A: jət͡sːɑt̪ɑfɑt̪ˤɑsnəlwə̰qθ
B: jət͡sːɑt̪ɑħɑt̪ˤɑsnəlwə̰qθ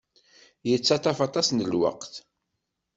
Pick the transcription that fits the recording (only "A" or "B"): A